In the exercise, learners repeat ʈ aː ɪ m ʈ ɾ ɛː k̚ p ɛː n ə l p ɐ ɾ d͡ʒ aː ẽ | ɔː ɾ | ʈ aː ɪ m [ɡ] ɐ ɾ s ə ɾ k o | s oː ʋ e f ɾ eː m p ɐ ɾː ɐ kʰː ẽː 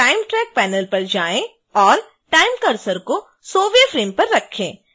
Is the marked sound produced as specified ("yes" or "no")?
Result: no